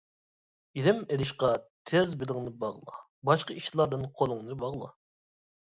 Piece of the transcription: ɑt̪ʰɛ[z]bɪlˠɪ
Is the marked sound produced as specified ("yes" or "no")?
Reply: yes